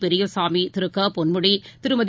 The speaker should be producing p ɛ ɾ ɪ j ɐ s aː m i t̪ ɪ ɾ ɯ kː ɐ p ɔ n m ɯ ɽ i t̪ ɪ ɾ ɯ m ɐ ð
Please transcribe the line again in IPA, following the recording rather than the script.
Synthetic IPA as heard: p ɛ ɾ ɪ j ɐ s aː m i t̪ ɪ ɾ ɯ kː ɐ p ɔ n m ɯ ɽ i t̪ ɪ ɾ ɯ m ɐ ð